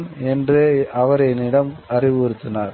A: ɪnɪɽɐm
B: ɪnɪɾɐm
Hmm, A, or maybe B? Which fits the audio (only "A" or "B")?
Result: A